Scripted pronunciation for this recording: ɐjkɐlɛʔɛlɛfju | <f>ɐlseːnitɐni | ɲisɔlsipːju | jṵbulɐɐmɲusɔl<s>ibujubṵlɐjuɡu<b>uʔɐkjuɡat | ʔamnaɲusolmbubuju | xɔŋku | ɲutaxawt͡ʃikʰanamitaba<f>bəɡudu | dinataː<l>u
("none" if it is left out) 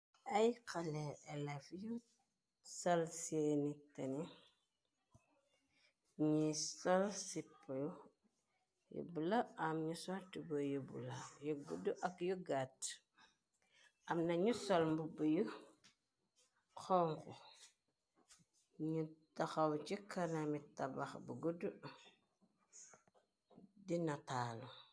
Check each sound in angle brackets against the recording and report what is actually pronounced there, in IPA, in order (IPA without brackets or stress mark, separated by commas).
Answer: s, t, d, x, l